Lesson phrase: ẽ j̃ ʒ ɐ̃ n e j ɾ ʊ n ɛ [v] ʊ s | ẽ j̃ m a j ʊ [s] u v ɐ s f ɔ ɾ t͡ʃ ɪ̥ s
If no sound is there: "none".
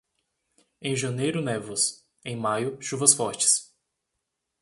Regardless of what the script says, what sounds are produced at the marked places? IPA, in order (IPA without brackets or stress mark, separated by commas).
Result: v, ʃ